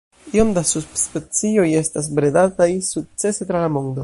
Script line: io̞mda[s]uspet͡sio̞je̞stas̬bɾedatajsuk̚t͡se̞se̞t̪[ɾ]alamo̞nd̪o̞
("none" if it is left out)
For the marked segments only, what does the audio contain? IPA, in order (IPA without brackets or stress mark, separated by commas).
s, ɾ